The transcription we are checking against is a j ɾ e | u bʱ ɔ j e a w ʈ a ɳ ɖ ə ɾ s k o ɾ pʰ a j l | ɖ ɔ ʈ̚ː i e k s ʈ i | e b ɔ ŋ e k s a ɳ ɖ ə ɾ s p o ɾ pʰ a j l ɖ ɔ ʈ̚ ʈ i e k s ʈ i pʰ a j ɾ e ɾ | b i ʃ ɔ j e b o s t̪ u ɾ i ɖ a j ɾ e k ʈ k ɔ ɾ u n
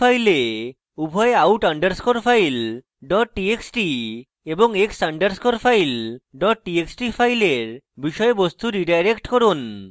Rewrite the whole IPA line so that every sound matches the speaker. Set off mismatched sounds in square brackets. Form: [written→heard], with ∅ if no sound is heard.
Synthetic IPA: a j [ɾ→l] e | u bʱ ɔ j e a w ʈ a ɳ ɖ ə ɾ s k o ɾ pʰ a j l | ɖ ɔ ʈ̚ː i e k s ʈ i | e b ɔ ŋ e k s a ɳ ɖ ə ɾ s [p→k] o ɾ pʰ a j l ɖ ɔ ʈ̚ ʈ i e k s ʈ i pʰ a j [ɾ→l] e ɾ | b i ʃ ɔ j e b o s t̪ u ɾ i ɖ a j ɾ e k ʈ k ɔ ɾ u n